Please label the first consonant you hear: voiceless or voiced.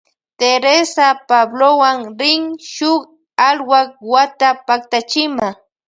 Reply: voiceless